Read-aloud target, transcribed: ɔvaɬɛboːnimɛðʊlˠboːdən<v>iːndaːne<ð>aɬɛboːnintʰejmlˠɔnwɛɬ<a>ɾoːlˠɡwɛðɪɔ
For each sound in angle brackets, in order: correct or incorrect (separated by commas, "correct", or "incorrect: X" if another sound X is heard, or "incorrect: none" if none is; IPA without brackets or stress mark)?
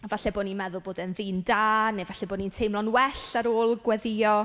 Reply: incorrect: ð, incorrect: v, correct